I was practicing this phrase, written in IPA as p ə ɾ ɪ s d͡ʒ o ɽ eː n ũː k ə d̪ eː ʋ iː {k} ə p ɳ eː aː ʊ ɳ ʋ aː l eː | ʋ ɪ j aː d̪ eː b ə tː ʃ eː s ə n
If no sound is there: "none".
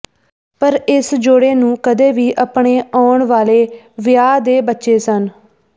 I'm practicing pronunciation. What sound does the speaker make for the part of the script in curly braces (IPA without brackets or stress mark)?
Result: ʔ